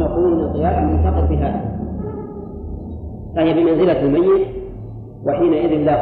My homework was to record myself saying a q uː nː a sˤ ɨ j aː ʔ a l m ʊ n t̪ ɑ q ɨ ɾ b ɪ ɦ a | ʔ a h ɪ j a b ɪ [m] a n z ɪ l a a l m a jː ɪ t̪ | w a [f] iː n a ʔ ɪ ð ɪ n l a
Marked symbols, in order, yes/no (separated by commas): yes, no